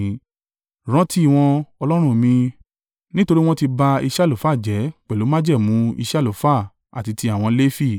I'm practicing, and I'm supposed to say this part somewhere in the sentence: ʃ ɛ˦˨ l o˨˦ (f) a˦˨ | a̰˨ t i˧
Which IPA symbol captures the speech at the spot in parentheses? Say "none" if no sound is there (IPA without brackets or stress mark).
f